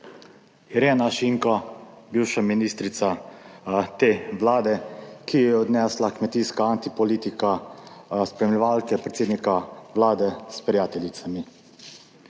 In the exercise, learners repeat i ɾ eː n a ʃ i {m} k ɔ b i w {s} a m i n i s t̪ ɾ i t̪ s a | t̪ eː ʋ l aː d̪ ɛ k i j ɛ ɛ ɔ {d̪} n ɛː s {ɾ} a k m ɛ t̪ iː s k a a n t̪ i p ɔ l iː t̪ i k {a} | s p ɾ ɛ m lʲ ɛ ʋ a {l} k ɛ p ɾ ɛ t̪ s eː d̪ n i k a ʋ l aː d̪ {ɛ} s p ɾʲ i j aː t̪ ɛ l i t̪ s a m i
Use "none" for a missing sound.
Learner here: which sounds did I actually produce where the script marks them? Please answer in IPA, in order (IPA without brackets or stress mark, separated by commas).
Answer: ŋ, ʃ, d̪, l, a, l, ɛ